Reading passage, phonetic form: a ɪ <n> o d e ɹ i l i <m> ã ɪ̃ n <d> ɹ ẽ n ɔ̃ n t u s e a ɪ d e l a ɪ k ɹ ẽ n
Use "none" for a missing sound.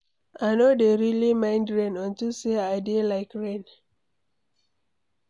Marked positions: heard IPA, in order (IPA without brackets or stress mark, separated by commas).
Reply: n, m, d